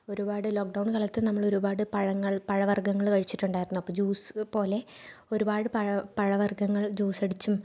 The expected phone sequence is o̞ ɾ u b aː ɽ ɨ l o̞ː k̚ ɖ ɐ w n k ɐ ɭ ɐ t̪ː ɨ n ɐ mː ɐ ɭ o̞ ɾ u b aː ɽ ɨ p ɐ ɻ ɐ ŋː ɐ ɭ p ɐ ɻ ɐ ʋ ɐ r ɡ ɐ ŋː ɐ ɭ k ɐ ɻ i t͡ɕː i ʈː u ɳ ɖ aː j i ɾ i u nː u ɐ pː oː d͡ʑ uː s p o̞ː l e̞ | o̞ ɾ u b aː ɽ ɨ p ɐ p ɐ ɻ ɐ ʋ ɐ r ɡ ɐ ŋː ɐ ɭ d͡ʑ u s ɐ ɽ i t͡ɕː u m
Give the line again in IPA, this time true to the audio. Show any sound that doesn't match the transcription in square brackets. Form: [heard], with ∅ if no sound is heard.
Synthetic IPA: o̞ ɾ u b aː ɽ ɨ l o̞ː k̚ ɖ ɐ w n k ɐ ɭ ɐ t̪ː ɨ n ɐ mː ɐ ɭ o̞ ɾ u b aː ɽ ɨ p ɐ ɻ ɐ ŋː ɐ ɭ p ɐ ɻ ɐ ʋ ɐ r ɡ ɐ ŋː ɐ ɭ k ɐ ɻ i t͡ɕː i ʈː u ɳ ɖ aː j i ɾ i u nː u ɐ pː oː d͡ʑ uː s p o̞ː l e̞ | o̞ ɾ u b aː ɽ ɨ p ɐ p ɐ ɻ ɐ ʋ ɐ r ɡ ɐ ŋː ɐ ɭ d͡ʑ [uː] s ɐ ɽ i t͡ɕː u m

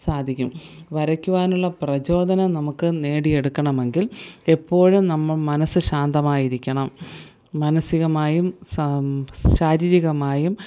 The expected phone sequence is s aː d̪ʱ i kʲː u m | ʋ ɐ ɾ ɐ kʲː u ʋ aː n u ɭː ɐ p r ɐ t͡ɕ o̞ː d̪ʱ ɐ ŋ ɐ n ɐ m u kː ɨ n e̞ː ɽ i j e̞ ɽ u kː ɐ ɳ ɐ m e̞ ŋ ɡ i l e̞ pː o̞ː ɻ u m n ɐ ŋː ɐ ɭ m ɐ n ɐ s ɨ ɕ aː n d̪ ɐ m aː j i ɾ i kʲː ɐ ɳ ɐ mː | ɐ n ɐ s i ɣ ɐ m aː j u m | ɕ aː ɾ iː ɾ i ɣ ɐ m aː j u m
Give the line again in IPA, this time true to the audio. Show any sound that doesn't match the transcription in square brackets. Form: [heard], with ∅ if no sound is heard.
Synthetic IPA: s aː d̪ʱ i kʲː u m | ʋ ɐ ɾ ɐ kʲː u ʋ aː n u ɭː ɐ p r ɐ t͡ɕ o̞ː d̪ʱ ɐ [n] ɐ n ɐ m u kː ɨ n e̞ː ɽ i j e̞ ɽ u kː ɐ ɳ ɐ m e̞ ŋ ɡ i l e̞ pː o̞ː ɻ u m n ɐ [mː] ɐ ɭ m ɐ n ɐ s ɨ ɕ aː n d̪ ɐ m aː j i ɾ i kʲː ɐ ɳ ɐ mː | ɐ n ɐ s i ɣ ɐ m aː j u m | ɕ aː ɾ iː ɾ i ɣ ɐ m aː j u m

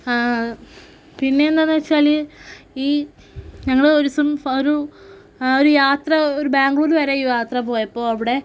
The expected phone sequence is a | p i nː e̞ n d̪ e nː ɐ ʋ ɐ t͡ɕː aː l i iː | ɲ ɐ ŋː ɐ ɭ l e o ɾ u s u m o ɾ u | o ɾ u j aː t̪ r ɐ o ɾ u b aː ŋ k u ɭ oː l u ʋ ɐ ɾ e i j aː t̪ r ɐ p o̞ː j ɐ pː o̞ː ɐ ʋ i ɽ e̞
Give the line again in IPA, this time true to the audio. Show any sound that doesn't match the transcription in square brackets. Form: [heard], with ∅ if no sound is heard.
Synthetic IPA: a | p i nː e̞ n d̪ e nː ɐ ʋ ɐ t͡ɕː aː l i iː | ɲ ɐ ŋː ɐ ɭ [ɽ] e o ɾ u s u m o ɾ u | o ɾ u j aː t̪ r ɐ o ɾ u b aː ŋ [ɡ] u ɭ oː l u ʋ ɐ ɾ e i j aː t̪ r ɐ p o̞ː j ɐ pː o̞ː ɐ ʋ i ɽ e̞

